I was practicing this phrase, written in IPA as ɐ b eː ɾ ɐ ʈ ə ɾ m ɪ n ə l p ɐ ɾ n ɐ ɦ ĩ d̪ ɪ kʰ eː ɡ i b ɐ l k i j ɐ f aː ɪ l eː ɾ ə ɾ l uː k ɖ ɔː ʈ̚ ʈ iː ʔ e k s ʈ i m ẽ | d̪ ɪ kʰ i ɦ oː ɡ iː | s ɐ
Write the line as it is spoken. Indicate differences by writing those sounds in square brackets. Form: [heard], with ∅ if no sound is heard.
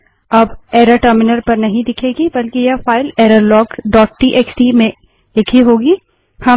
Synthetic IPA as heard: ɐ b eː ɾ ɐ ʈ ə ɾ m ɪ n ə [ɾ] p ɐ ɾ n ɐ ɦ ĩ d̪ ɪ kʰ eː ɡ i b ɐ l k i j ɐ f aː ɪ l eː ɾ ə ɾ l [ɔː] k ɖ ɔː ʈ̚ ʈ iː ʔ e k s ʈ i m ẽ | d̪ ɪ kʰ i ɦ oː ɡ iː | [h] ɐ